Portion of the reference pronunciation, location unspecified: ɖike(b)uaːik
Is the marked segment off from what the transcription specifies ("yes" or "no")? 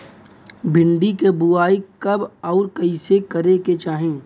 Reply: no